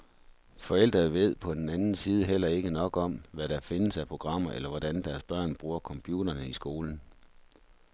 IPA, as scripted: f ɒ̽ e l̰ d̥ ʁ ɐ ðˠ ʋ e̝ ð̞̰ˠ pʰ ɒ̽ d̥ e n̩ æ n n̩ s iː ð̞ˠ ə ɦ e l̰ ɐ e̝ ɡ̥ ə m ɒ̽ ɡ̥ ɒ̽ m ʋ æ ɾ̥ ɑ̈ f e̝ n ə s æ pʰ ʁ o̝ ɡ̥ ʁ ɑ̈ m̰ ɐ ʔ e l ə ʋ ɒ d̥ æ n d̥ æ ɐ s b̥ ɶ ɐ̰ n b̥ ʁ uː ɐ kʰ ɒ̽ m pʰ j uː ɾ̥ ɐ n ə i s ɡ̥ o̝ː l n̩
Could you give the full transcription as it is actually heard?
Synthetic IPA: f ɒ̽ e l̰ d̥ ʁ ɐ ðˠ ʋ e̝ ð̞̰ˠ pʰ ɒ̽ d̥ e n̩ æ n n̩ s iː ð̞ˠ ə ɦ e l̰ ɐ e̝ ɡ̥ ə n ɒ̽ ɡ̥ ɒ̽ m ʋ æ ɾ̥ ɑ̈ f e̝ n ə s æ pʰ ʁ o̝ ɡ̥ ʁ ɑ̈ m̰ ɐ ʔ e l ɐ ʋ ɒ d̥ æ n d̥ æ ɐ s b̥ ɶ ɐ̰ n b̥ ʁ uː ɐ kʰ ɒ̽ m pʰ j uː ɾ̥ ɐ n ə i s ɡ̥ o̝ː l n̩